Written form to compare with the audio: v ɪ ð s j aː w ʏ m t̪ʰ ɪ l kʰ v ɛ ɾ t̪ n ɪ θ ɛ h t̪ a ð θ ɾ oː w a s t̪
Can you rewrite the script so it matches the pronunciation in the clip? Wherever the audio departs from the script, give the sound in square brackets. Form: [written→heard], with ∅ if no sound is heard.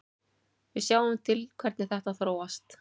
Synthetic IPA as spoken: v ɪ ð s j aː w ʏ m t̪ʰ ɪ l kʰ v ɛ ɾ t̪ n ɪ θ ɛ h t̪ a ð θ ɾ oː w a s t̪